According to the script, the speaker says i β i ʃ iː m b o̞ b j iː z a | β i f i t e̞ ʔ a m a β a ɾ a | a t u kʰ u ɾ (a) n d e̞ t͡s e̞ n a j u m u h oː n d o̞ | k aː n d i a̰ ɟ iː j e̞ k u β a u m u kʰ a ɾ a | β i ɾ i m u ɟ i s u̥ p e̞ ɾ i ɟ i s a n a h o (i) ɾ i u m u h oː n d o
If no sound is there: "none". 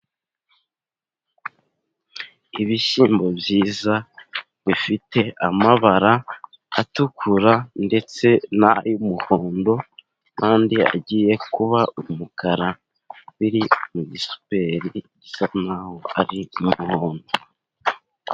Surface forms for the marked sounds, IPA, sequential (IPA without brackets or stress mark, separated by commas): a, a